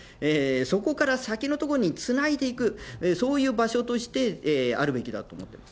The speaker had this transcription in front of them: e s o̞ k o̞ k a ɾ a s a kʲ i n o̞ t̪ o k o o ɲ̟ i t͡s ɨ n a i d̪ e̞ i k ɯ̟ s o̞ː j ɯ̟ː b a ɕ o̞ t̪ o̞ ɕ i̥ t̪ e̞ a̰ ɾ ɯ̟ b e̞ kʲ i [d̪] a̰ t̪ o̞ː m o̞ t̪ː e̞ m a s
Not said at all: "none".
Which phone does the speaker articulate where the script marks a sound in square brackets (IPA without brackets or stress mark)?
d̪